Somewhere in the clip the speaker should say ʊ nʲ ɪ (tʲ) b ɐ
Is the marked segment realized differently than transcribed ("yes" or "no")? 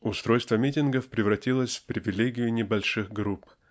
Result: yes